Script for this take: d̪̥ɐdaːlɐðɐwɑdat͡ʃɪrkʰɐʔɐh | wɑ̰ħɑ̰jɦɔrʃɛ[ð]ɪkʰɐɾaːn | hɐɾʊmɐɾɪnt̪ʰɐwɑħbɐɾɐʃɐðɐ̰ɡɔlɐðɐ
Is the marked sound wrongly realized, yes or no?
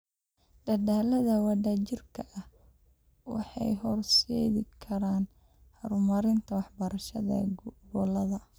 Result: no